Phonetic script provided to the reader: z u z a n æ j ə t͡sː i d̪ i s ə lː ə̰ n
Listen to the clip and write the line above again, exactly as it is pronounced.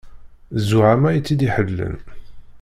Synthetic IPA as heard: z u ʕ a m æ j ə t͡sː i d̪ i ħ ə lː ə̰ n